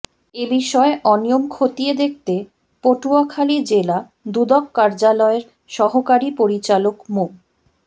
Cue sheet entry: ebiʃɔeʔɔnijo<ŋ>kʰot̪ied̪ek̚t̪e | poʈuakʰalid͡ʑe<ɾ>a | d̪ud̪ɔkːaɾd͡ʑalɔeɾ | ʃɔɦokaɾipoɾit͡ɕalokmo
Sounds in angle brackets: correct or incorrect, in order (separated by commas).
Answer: incorrect, incorrect